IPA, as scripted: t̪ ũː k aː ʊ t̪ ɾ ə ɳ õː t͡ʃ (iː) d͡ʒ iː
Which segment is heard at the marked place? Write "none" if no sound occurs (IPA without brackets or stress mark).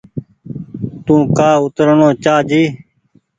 aː